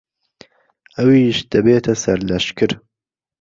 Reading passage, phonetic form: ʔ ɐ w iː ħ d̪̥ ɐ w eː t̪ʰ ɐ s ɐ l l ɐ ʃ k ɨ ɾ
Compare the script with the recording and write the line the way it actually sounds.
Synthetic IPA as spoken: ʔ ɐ w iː ʃ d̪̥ ɐ b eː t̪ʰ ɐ s ɐ ɾ l ɐ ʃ k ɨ ɾ

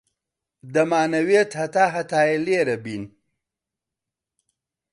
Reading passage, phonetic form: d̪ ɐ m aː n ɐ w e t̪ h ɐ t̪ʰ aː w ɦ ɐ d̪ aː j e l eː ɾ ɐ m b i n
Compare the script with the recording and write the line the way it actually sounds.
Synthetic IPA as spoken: d̪ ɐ m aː n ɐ w e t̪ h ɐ t̪ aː ɦ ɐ t̪ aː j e l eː ɾ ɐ b i n

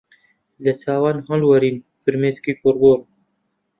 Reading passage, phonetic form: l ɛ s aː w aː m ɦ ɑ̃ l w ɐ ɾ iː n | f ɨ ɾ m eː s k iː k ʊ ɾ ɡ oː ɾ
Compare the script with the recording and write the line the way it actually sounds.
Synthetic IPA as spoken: l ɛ s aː w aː n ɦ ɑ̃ l w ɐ ɾ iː n | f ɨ ɾ m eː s k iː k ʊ ɾ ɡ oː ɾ

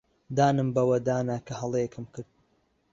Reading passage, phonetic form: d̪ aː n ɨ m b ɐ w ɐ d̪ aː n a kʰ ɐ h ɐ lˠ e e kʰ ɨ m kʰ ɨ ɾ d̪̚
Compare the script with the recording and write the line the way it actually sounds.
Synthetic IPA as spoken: d̪ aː n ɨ m b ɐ w ɐ d̪ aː n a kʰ ɐ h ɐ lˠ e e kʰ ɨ m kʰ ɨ ɾ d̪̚

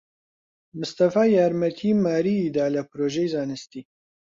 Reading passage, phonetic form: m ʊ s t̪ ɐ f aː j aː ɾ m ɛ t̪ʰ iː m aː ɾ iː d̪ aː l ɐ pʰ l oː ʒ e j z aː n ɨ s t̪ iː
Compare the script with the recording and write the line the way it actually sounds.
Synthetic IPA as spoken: m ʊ s t̪ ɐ f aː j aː ɾ m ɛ t̪ʰ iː m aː ɾ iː d̪ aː l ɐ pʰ ɾ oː ʒ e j z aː n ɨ s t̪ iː

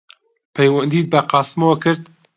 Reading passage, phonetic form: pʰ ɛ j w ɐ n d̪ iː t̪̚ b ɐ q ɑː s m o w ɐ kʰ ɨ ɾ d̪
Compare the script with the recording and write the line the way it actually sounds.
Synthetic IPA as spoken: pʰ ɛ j w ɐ n d̪ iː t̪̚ b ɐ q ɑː s m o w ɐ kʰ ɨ ɾ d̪

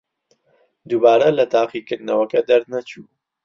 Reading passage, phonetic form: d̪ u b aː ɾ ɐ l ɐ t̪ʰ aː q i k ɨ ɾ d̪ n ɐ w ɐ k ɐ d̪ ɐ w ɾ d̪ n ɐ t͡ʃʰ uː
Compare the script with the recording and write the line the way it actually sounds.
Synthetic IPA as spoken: d̪ u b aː ɾ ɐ l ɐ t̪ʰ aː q i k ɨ ɾ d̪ n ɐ w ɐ k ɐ d̪ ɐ ɾ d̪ n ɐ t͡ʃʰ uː

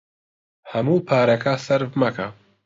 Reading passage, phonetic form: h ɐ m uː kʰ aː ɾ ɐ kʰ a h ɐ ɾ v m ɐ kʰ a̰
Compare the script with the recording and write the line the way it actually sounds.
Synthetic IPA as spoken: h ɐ m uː pʰ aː ɾ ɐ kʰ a s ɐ ɾ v m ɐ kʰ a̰

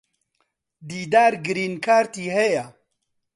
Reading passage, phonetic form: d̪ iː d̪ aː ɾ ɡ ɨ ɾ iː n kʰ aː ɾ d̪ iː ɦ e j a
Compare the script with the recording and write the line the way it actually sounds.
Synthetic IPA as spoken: d̪ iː d̪ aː ɾ ɡ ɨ ɾ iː n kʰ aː ɾ t̪ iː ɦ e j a

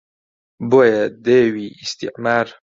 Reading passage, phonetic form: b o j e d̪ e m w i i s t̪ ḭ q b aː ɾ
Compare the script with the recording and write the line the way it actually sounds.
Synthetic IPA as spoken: b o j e d̪ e w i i s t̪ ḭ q m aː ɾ

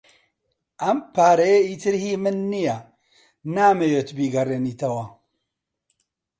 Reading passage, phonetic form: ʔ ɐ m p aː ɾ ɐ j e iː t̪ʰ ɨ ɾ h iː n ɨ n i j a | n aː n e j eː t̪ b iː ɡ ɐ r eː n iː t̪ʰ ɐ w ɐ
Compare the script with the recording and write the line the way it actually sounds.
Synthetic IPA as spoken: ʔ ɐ m p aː ɾ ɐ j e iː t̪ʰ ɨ ɾ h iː m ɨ nː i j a | n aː m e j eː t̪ b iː ɡ ɐ r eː n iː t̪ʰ ɐ w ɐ

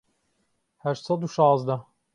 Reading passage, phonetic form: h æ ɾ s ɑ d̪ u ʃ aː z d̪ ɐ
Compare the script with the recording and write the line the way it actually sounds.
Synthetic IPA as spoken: h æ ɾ s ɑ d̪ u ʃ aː z d̪ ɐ

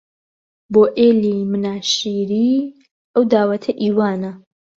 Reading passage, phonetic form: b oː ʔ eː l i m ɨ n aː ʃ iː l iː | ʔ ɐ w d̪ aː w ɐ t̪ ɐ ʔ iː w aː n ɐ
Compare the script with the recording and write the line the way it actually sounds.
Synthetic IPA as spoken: b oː ʔ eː l i m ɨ n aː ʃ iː ɾ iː | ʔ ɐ w d̪ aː w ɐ t̪ʰ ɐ ʔ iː w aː n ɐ

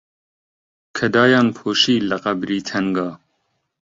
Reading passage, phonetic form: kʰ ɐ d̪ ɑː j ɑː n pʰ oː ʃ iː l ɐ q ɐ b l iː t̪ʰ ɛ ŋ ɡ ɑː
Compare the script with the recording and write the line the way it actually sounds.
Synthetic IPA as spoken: kʰ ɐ d̪ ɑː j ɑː n pʰ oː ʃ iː l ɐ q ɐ b ɾ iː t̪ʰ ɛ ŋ ɡ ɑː

